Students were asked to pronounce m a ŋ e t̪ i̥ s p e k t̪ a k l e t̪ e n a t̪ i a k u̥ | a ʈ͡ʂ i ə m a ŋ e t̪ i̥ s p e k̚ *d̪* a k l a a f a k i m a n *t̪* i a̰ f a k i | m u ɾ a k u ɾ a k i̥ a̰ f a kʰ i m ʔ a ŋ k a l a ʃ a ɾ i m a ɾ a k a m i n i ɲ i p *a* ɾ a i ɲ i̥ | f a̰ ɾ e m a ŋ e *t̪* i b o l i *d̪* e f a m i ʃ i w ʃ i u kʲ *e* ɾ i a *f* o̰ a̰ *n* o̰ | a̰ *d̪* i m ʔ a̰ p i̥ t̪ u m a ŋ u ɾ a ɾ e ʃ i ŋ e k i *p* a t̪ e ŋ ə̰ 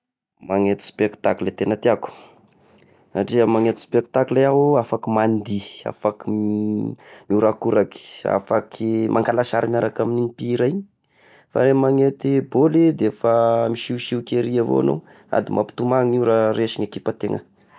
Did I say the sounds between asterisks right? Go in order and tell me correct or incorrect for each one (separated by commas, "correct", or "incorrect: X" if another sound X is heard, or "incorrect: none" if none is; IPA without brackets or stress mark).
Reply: incorrect: t̪, incorrect: d̪, incorrect: i, correct, correct, correct, incorrect: v, correct, correct, correct